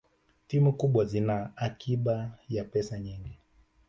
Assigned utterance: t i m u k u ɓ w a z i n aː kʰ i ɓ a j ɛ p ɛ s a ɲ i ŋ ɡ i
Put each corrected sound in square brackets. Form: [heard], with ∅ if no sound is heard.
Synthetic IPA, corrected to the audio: t i m u k u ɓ w a z i n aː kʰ i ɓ a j [a] p ɛ s a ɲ i ŋ ɡ i